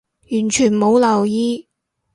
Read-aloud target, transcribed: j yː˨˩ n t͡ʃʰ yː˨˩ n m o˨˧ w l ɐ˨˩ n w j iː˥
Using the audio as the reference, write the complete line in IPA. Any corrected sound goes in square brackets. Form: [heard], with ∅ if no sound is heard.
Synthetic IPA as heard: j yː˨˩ n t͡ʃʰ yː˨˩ n m o˨˧ w l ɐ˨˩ [∅] w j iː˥